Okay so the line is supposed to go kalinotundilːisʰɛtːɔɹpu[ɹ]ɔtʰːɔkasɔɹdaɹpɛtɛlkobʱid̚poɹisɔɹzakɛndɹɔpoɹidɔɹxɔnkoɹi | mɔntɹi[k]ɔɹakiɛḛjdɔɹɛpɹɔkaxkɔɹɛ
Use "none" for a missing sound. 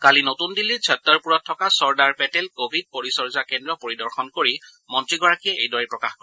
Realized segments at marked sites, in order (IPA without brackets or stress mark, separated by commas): ɹ, ɡ